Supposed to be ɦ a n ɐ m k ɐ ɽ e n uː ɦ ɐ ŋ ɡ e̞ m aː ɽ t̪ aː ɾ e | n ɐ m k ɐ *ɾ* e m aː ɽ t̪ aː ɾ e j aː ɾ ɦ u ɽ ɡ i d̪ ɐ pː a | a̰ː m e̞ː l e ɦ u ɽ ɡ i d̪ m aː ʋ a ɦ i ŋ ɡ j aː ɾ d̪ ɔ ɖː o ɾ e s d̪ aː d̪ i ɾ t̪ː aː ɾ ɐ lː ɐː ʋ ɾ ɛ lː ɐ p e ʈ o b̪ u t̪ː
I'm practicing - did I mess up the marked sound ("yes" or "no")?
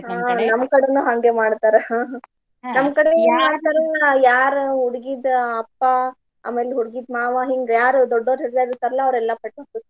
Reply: yes